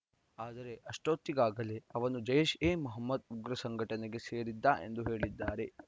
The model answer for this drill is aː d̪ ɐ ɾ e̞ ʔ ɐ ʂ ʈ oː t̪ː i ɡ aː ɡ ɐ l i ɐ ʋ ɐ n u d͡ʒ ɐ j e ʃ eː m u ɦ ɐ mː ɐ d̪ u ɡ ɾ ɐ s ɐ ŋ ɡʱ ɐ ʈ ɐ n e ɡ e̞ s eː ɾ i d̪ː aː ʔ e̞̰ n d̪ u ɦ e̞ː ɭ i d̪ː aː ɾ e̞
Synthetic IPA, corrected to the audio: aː d̪ ɐ ɾ e̞ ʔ ɐ ʂ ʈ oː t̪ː i ɡ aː ɡ ɐ l e ɐ ʋ ɐ n u d͡ʒ ɐ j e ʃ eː m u ɦ ɐ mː ɐ d̪ u ɡ ɾ ɐ s ɐ ŋ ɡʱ ɐ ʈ ɐ n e ɡ e̞ s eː ɾ i d̪ː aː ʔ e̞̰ n d̪ u ɦ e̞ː ɭ i d̪ː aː ɾ e̞